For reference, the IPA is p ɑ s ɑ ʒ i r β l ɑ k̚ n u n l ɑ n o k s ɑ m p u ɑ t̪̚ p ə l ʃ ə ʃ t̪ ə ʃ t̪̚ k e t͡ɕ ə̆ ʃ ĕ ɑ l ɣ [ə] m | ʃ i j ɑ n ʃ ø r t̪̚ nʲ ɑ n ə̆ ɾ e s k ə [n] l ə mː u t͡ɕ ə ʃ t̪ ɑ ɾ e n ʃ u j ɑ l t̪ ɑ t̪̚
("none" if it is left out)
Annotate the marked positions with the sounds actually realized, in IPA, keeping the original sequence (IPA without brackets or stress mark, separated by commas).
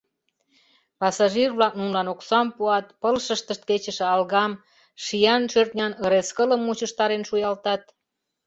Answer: ɑ, none